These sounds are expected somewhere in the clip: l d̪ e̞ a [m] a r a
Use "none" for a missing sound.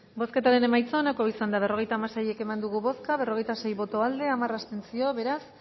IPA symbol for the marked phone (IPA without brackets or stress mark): m